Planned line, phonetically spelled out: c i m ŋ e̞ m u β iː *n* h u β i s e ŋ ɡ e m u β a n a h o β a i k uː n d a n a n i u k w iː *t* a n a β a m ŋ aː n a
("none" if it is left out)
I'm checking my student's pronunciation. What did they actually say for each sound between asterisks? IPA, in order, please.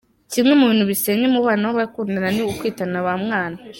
n, t

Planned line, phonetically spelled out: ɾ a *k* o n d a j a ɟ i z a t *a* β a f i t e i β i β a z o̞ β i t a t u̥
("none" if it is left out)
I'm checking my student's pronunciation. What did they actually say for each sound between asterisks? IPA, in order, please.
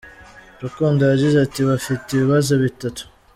k, i

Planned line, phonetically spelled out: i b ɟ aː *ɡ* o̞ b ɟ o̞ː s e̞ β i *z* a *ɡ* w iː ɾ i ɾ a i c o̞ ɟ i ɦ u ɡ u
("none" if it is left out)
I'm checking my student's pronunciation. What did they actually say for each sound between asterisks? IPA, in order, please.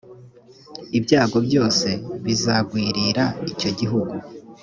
ɡ, z, ɡ

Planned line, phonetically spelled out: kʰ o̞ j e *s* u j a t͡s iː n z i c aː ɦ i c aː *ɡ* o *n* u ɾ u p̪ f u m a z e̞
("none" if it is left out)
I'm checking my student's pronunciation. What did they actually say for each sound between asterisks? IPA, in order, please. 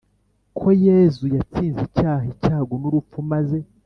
z, ɡ, n

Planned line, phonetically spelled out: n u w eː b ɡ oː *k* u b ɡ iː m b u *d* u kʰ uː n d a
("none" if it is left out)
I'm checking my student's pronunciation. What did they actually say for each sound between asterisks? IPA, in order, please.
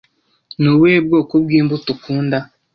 k, t

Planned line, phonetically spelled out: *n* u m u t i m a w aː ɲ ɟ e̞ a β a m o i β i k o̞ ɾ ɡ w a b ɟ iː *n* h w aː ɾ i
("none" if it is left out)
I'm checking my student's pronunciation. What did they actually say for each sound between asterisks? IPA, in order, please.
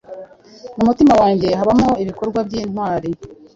m, n

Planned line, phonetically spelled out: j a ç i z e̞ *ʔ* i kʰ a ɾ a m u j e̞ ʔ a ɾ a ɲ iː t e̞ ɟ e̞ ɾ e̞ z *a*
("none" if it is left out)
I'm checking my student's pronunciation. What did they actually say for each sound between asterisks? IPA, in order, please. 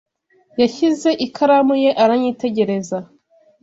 ʔ, a

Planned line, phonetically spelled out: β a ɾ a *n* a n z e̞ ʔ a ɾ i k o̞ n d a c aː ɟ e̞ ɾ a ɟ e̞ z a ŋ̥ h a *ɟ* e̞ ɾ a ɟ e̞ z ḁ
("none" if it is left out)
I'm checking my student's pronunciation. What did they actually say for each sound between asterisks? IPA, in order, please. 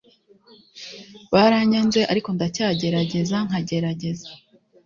ɲ, ɟ

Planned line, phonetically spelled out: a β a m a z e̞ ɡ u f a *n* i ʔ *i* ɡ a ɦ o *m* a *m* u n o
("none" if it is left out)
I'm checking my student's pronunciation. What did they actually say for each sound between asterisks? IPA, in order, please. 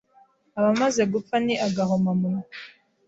n, a, m, m

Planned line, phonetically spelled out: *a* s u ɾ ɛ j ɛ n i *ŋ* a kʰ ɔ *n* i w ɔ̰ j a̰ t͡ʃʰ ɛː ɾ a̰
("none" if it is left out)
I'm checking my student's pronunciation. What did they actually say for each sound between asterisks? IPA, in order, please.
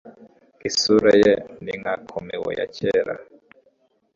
i, ŋ, m

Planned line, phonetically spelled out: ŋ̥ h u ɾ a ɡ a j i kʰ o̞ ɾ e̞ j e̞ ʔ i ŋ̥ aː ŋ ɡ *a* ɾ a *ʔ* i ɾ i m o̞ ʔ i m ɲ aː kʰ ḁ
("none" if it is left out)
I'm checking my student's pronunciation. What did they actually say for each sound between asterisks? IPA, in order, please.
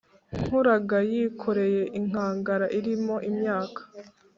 a, ʔ

